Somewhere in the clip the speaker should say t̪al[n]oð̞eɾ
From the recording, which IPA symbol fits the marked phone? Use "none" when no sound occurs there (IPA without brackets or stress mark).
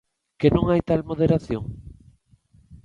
m